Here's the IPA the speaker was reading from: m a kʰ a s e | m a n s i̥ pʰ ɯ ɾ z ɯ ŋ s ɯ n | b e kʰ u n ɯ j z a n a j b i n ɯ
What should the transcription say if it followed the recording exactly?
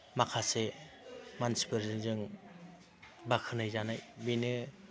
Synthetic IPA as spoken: m a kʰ a s e | m a n s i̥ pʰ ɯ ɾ z ɯ ŋ z ɯ ŋ | b a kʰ ɯ n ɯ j z a n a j b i n ɯ